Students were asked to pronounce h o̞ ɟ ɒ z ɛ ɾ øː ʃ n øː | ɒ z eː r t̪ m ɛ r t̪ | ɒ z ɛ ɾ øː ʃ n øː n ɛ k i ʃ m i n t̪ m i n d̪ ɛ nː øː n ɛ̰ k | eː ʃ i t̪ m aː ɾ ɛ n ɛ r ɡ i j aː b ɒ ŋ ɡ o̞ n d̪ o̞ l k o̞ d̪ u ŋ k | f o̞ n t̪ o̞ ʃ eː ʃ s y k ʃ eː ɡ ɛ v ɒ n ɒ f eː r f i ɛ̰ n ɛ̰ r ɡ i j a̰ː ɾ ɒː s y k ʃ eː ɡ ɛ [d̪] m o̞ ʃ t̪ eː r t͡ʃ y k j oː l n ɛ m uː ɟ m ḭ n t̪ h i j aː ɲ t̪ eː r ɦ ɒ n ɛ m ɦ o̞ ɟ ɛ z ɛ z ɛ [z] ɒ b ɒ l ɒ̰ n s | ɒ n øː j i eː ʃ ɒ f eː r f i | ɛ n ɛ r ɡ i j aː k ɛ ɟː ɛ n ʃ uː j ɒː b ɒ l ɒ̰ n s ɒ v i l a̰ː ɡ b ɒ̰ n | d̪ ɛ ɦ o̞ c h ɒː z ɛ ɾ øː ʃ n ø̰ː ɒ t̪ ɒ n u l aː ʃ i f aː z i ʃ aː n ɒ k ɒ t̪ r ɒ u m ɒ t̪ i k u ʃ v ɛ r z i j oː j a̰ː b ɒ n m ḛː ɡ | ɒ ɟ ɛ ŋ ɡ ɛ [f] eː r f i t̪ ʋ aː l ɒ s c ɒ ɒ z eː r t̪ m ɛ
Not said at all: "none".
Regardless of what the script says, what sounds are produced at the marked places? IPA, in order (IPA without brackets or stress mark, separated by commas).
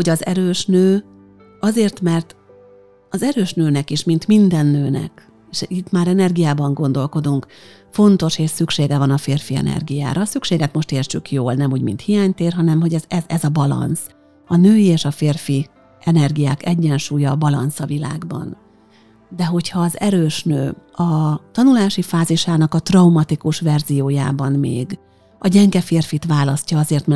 t̪, z, f